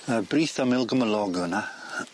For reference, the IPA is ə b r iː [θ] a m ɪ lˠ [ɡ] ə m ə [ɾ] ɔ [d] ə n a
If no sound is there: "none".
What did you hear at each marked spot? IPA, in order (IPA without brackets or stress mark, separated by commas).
θ, ɡ, l, ɡ